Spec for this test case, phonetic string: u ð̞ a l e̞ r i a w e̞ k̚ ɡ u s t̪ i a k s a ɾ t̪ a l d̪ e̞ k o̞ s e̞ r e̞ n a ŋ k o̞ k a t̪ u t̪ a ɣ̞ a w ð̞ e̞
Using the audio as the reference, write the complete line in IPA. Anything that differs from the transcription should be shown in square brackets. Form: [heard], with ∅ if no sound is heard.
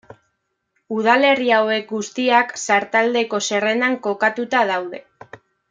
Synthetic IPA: u ð̞ a l e̞ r i a w e̞ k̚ ɡ u s t̪ i a k s a ɾ t̪ a l d̪ e̞ k o̞ s e̞ r e̞ n a ŋ k o̞ k a t̪ u t̪ a [ð̞] a w ð̞ e̞